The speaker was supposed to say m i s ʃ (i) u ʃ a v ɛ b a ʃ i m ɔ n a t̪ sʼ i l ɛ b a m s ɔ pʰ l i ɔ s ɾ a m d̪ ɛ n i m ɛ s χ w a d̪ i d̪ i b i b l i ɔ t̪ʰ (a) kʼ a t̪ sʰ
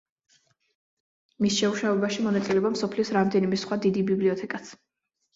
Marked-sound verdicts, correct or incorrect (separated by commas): incorrect, incorrect